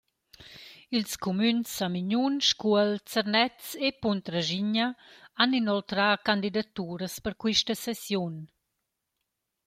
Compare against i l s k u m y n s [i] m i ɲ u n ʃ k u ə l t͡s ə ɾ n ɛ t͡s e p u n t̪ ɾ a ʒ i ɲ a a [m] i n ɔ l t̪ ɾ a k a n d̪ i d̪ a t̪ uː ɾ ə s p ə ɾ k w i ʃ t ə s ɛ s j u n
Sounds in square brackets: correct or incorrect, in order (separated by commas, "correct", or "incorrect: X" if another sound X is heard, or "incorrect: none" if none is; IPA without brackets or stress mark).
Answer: incorrect: a, incorrect: n